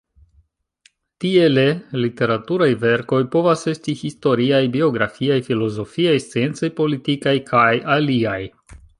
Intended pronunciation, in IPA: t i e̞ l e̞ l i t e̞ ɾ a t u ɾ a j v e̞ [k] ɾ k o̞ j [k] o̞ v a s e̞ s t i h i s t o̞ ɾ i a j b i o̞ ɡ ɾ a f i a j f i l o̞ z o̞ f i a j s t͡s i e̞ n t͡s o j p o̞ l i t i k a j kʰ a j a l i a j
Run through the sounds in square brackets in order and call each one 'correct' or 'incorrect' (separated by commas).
incorrect, incorrect